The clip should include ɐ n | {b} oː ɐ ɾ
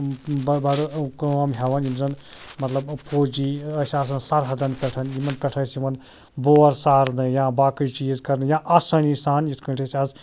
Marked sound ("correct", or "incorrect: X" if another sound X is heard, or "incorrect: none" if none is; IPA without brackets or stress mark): correct